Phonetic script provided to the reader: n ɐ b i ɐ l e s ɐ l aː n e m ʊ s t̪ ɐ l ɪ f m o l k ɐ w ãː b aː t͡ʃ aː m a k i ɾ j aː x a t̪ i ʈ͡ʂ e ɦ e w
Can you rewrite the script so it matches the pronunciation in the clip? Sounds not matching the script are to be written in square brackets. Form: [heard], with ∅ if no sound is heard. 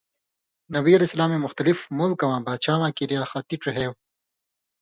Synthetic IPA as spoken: n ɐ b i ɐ l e s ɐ l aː [m] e m ʊ [x] t̪ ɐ l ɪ f m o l k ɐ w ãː b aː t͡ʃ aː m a k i ɾ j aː x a t̪ i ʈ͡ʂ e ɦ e w